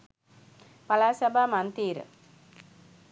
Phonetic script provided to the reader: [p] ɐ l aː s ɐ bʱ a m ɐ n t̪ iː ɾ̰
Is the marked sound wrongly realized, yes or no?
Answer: no